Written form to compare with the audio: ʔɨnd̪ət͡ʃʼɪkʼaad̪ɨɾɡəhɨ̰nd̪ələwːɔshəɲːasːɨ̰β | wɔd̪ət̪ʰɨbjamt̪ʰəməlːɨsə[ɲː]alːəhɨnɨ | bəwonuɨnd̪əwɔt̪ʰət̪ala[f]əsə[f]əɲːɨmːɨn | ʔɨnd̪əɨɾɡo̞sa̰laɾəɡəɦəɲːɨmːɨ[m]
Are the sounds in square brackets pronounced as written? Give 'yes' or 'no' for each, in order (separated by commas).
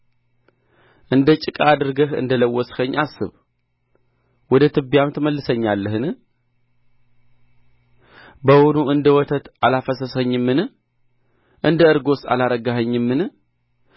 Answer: yes, yes, no, no